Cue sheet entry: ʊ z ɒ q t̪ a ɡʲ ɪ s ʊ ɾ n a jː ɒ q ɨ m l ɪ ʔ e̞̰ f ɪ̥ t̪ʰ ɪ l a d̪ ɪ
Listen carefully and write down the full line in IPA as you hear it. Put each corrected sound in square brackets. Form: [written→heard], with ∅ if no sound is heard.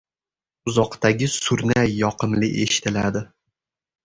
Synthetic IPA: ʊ z ɒ q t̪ a ɡʲ ɪ s ʊ ɾ n a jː ɒ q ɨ m l ɪ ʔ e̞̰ [f→ʃ] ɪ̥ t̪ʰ ɪ l a d̪ ɪ